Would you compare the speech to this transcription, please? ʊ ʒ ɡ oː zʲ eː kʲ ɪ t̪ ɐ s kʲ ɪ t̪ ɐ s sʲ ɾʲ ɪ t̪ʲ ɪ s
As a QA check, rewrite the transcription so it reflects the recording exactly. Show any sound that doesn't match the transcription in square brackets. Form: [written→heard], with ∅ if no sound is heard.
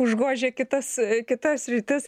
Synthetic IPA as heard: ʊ ʒ ɡ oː [zʲ→ʒʲ] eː kʲ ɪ t̪ ɐ s kʲ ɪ t̪ ɐ s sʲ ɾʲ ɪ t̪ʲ ɪ s